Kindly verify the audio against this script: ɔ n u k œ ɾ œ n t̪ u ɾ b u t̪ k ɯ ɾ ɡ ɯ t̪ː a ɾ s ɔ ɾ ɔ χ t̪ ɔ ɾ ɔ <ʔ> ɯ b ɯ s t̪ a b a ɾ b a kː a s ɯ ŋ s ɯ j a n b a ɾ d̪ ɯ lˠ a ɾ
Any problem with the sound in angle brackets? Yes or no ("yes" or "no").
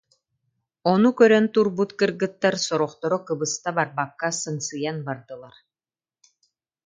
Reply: yes